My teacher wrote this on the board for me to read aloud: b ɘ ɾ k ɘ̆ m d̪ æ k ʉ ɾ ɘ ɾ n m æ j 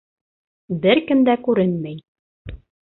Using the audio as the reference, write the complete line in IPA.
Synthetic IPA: b ɘ ɾ k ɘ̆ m d̪ æ k ʉ ɾ ɘ n m æ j